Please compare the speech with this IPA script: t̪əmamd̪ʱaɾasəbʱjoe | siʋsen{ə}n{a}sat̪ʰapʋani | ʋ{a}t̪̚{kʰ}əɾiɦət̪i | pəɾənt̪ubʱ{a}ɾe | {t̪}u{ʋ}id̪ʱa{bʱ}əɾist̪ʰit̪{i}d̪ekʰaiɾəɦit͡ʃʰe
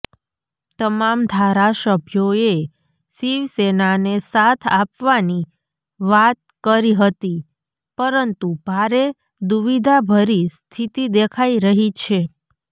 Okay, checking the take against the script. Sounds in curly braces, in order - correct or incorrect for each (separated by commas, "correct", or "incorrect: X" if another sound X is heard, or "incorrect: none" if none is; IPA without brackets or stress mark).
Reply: incorrect: a, incorrect: e, correct, incorrect: k, correct, incorrect: d̪, correct, correct, correct